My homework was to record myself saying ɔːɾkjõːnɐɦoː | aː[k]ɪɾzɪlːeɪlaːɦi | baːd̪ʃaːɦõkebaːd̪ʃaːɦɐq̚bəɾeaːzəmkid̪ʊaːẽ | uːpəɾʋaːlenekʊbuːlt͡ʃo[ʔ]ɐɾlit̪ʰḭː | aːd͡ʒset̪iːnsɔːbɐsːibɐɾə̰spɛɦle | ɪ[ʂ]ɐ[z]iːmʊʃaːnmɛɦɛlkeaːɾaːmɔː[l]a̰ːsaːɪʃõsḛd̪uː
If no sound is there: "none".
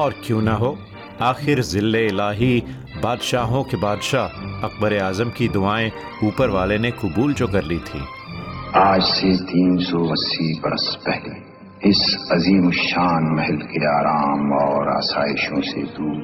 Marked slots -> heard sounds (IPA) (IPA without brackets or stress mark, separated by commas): x, k, s, z, ɾ